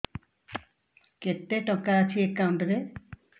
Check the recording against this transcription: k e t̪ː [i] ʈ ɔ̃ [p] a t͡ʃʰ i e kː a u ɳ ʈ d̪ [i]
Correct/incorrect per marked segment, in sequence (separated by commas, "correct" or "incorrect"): incorrect, incorrect, incorrect